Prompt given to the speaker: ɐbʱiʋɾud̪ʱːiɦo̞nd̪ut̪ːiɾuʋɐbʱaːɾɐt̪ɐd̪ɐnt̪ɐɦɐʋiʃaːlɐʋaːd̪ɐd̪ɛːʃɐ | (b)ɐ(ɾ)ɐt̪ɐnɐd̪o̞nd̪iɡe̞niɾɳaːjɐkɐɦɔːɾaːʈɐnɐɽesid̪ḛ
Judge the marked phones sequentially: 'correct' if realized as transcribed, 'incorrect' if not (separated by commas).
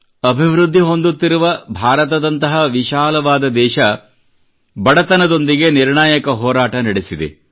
correct, incorrect